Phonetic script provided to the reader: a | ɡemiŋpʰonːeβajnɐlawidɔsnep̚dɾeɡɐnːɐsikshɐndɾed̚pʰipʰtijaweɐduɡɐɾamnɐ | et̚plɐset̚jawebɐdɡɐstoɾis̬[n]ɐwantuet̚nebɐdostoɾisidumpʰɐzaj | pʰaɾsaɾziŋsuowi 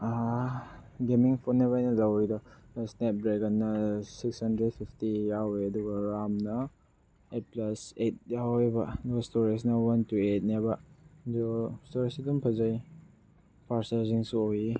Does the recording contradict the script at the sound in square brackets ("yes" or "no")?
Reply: no